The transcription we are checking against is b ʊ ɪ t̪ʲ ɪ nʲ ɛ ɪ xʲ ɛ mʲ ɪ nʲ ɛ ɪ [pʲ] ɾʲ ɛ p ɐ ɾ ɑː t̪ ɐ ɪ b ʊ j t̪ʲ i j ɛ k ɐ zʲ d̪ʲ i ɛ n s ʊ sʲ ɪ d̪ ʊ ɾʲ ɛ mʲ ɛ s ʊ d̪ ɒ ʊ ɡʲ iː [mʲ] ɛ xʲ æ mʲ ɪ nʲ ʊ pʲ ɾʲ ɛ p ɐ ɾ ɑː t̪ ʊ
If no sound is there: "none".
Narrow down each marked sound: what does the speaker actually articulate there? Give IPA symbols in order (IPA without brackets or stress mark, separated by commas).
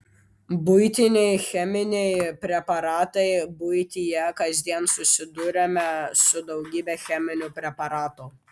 pʲ, bʲ